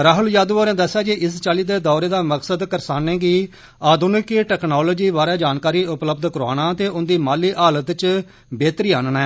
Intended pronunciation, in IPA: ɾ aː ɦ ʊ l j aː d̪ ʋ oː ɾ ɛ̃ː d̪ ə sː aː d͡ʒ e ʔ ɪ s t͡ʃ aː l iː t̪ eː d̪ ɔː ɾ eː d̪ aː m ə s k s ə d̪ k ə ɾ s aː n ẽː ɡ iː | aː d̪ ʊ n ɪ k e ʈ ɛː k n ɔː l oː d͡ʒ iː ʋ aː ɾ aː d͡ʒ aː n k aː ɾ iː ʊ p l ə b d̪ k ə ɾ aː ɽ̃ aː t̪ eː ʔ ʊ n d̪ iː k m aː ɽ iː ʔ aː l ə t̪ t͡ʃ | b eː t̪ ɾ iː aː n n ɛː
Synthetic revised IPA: ɾ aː ɦ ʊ l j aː d̪ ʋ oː ɾ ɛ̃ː d̪ ə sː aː d͡ʒ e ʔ ɪ s t͡ʃ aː l iː d̪ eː d̪ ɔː ɾ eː d̪ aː m ə k s ə d̪ k ə ɾ s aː n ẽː ɡ iː | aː d̪ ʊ n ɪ k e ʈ ɛː k n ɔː l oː d͡ʒ iː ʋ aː ɾ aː d͡ʒ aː n k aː ɾ iː ʊ p l ə b d̪ k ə ɾ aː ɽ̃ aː t̪ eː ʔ ʊ n d̪ iː m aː l iː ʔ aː l ə t̪ t͡ʃ | b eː t̪ ɾ iː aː n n ɛː

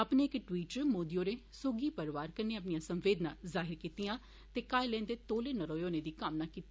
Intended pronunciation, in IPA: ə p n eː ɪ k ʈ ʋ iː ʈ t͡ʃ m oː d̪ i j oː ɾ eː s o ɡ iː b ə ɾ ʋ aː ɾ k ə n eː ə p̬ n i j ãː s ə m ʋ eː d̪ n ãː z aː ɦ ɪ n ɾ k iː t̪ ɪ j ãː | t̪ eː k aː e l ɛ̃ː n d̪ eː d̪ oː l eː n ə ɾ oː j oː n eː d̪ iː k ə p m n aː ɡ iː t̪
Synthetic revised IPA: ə p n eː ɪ k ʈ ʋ iː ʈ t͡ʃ m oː d̪ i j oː ɾ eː s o ɡ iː p ə ɾ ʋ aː ɾ k ə n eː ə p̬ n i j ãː s ə m ʋ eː d̪ n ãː z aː ɦ ɪ ɾ k iː t̪ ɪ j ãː | t̪ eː k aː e l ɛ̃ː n d̪ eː t̪ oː l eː n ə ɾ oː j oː n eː d̪ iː k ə m n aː k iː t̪

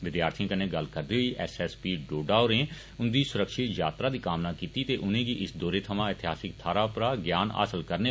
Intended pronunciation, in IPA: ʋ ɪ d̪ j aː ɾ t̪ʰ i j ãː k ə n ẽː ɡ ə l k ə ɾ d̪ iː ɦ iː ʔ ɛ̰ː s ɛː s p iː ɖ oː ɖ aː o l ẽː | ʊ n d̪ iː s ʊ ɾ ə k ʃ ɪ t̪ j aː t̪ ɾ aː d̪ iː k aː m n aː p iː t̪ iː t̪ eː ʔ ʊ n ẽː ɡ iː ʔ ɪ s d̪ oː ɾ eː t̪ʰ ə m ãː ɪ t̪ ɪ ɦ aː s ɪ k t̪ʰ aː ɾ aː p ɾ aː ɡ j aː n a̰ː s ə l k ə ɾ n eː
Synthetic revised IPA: ʋ ɪ d̪ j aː ɾ t̪ʰ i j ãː k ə n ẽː ɡ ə l k ə ɾ d̪ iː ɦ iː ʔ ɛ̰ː s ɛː s p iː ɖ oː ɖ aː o ɾ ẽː | ʊ n d̪ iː s ʊ ɾ ə k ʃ ɪ t̪ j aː t̪ ɾ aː d̪ iː k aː m n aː k iː t̪ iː t̪ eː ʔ ʊ n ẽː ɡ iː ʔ ɪ s d̪ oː ɾ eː t̪ʰ ə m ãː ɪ t̪ ɪ ɦ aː s ɪ k t̪ʰ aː ɾ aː p ɾ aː ɡ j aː n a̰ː s ə l k ə ɾ n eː

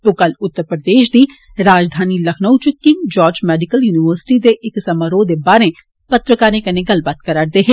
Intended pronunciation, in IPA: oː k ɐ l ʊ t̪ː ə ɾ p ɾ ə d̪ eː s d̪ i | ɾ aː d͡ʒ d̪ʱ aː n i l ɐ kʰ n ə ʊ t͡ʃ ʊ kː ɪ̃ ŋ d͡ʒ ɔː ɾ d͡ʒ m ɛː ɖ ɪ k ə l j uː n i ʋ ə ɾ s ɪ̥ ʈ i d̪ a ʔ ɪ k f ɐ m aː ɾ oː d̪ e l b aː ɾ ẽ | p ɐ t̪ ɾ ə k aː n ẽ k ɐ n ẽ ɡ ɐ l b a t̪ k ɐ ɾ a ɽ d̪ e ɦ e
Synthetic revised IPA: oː k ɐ l ʊ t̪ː ə ɾ p ɾ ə d̪ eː ʃ d̪ i | ɾ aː d͡ʒ d̪ʱ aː n i l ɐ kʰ n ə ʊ t͡ʃ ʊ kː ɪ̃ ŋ d͡ʒ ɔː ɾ d͡ʒ m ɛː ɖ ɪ k ə l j uː n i ʋ ə ɾ s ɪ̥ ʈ i d̪ e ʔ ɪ k s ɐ m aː ɾ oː d̪ e b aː ɾ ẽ | p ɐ t̪ ɾ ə k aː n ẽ k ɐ n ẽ ɡ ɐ l b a t̪ k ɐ ɾ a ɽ d̪ e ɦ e

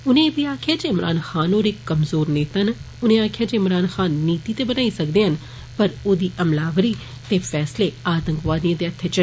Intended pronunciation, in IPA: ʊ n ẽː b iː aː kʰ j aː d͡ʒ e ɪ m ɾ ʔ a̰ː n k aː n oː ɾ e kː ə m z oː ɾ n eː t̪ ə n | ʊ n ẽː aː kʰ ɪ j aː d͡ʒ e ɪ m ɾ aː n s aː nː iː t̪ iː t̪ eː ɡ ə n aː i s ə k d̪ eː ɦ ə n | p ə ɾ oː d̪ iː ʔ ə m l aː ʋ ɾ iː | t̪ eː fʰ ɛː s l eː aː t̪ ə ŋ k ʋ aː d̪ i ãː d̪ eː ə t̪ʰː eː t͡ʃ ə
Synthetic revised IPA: ʊ n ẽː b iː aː kʰ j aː d͡ʒ e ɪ m ɾ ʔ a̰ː n x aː n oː ɾ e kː ə m z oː ɾ n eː t̪ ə n | ʊ n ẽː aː kʰ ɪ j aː d͡ʒ e ɪ m ɾ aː n x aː nː iː t̪ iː t̪ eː b ə n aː i s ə k d̪ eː ɦ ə n | p ə ɾ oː d̪ iː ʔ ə m l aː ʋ ɾ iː | t̪ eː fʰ ɛː s l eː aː t̪ ə ŋ k ʋ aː d̪ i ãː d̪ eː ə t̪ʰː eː t͡ʃ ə

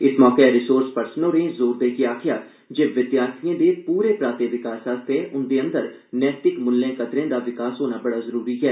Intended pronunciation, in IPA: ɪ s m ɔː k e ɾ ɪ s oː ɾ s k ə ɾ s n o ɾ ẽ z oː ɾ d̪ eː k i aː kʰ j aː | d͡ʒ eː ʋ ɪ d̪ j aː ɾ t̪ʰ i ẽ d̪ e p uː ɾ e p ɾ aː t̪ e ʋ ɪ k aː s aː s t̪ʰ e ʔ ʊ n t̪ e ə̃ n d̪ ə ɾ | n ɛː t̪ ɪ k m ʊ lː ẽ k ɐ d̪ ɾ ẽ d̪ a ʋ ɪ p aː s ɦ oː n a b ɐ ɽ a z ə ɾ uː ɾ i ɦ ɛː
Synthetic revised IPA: ɪ s m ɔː k e ɾ ɪ s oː ɾ s p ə ɾ s n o ɾ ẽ z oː ɾ d̪ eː k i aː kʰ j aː | d͡ʒ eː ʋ ɪ d̪ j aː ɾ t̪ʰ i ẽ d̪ e p uː ɾ e p ɾ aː t̪ e ʋ ɪ k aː s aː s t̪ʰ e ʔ ʊ n d̪ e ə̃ n d̪ ə ɾ | n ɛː t̪ ɪ k m ʊ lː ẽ k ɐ d̪ ɾ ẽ d̪ a ʋ ɪ k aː s ɦ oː n a b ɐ ɽ a z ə ɾ uː ɾ i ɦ ɛː

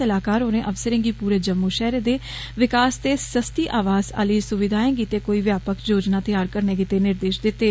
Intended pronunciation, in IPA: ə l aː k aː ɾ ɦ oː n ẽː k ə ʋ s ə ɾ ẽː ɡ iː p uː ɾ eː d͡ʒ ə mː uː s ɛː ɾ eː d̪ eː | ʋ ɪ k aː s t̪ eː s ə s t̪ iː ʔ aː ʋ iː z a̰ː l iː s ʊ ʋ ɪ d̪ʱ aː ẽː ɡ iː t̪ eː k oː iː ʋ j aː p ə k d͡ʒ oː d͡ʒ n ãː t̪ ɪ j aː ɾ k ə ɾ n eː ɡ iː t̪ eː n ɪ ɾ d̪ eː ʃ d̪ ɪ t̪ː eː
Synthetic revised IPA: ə l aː k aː ɾ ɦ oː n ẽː ʔ ə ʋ s ə ɾ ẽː ɡ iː p uː ɾ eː d͡ʒ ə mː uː ʃ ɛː ɾ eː d̪ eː | ʋ ɪ k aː s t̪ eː s ə s t̪ iː ʔ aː ʋ aː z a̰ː l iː s ʊ ʋ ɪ d̪ʱ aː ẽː ɡ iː t̪ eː k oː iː ʋ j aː p ə k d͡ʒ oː d͡ʒ n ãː t̪ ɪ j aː ɾ k ə ɾ n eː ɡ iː t̪ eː n ɪ ɾ d̪ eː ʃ d̪ ɪ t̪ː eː

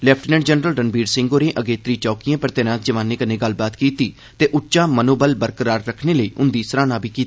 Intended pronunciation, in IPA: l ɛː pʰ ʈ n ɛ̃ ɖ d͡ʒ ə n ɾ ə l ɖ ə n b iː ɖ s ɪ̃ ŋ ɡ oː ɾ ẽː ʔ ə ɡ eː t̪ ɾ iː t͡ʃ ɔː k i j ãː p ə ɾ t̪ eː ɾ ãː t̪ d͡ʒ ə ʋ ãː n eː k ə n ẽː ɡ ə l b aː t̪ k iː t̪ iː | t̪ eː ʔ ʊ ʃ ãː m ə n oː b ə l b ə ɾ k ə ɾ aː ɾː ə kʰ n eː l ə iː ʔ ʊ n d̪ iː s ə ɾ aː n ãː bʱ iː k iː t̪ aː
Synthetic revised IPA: l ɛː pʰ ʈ n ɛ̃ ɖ d͡ʒ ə n ɾ ə l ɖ ə n b iː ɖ s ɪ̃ ŋ ɡ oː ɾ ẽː ʔ ə ɡ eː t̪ ɾ iː t͡ʃ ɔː k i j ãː p ə ɾ t̪ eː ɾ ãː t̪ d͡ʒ ə ʋ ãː n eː k ə n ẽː ɡ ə l b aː t̪ k iː t̪ iː | t̪ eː ʔ ʊ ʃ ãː m ə n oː b ə l b ə ɾ k ə ɾ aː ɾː ə kʰ n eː l ə iː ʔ ʊ n d̪ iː s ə ɾ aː n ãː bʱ iː k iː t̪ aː

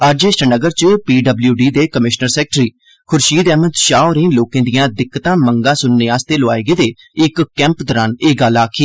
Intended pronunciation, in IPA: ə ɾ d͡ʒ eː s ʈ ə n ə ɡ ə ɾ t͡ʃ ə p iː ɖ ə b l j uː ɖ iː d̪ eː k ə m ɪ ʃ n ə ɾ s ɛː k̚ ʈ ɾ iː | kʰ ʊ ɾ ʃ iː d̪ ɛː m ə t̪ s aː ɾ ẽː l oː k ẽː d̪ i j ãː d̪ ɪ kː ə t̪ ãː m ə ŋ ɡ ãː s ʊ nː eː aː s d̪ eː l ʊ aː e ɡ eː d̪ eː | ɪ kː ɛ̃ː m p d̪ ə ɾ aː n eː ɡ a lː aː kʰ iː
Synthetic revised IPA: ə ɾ d͡ʒ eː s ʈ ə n ə ɡ ə ɾ t͡ʃ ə p iː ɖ ə b l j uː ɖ iː d̪ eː k ə m ɪ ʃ n ə ɾ s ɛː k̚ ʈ ɾ iː | kʰ ʊ ɾ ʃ iː d̪ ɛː m ə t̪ ʃ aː ɾ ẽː l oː k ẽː d̪ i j ãː d̪ ɪ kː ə t̪ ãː m ə ŋ ɡ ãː s ʊ nː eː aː s t̪ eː l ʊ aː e ɡ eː d̪ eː | ɪ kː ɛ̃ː m p d̪ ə ɾ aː n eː ɡ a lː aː kʰ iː

